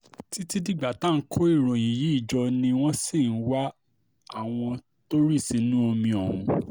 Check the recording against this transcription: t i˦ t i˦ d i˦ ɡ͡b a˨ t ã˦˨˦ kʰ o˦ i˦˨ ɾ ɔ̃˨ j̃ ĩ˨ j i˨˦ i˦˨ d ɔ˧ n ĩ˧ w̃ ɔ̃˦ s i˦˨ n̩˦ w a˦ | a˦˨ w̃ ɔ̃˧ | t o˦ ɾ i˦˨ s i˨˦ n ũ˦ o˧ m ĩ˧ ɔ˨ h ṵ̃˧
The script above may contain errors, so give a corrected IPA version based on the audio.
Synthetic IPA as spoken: t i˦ t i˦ d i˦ ɡ͡b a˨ t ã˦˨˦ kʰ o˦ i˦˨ ɾ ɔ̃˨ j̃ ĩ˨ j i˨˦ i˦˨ d͡ʒ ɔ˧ n ĩ˧ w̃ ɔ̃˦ s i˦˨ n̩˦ w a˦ | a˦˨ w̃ ɔ̃˧ | t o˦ ɾ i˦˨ s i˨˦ n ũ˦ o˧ m ĩ˧ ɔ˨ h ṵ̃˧